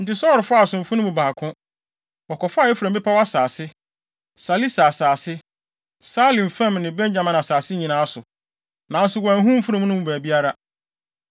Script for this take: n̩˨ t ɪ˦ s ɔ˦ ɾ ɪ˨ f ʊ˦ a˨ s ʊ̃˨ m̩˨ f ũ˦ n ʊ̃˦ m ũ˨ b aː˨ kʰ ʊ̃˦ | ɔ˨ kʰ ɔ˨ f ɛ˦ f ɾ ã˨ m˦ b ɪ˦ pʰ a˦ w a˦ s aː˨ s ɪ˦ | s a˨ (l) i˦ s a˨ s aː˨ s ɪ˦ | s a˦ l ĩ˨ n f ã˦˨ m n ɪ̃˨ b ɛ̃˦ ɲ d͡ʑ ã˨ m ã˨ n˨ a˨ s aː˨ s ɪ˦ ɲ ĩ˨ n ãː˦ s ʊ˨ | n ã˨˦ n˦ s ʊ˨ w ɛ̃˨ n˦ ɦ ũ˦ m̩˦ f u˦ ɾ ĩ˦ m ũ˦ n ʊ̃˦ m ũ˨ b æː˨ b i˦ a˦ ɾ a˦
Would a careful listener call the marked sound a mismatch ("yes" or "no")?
no